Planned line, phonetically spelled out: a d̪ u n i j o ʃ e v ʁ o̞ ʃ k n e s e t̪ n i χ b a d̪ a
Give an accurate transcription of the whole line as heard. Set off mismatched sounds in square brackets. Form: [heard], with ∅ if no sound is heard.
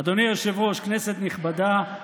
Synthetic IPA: a d̪ [o] n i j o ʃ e v ʁ o̞ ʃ k n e s e t̪ n i χ b a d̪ a